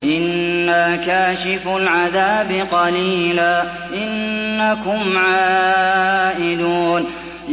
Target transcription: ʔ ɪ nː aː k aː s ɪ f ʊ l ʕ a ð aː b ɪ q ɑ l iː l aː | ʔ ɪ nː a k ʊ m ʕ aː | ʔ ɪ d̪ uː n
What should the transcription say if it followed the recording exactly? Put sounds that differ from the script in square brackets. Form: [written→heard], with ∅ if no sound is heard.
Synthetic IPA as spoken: ʔ ɪ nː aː k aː [s→ʃ] ɪ f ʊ l ʕ a ð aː b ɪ q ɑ l iː l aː | ʔ ɪ nː a k ʊ m ʕ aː | ʔ ɪ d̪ uː n